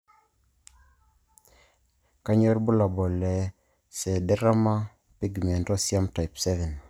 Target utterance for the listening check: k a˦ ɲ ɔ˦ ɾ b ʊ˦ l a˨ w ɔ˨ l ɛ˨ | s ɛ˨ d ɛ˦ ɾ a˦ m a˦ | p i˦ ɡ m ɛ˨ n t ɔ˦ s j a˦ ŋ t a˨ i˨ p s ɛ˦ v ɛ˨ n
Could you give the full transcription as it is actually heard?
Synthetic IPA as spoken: k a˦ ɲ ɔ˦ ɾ b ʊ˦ l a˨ b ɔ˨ l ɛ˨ | s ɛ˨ d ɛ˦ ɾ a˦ m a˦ | p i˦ ɡ m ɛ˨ n t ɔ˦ s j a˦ m t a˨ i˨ p s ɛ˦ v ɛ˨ n